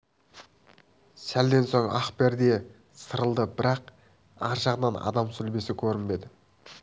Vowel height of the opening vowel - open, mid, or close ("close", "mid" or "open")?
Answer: open